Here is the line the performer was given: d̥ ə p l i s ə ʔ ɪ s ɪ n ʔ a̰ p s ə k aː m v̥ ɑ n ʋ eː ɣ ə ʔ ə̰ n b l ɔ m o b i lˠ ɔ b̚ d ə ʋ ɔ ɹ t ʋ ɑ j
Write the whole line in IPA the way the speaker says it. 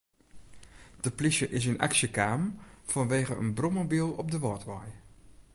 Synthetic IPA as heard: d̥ ə p l i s ə ʔ ɪ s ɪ n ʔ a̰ k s ə k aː m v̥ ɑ n ʋ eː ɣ ə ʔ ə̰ n b r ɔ m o b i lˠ ɔ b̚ d ə ʋ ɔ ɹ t ʋ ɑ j